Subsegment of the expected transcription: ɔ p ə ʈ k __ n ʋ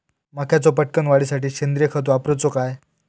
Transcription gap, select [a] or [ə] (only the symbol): ə